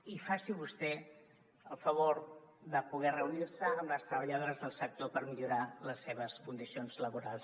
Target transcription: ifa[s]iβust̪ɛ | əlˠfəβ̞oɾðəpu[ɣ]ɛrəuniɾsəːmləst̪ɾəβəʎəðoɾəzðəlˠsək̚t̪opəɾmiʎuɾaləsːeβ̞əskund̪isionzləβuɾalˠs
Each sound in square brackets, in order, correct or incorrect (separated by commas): correct, correct